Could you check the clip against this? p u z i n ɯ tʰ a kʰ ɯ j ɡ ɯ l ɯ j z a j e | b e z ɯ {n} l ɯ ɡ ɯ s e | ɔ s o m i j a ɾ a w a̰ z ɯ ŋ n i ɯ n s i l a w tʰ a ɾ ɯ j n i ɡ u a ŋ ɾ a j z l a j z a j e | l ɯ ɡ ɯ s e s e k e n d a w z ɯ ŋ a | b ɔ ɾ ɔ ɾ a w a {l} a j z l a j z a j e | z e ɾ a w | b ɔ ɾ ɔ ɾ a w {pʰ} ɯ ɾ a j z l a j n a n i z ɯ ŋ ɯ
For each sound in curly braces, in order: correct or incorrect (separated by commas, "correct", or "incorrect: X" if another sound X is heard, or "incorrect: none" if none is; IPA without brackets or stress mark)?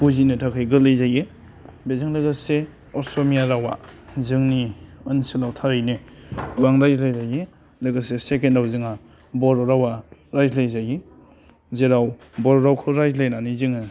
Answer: incorrect: ŋ, incorrect: ɾ, incorrect: kʰ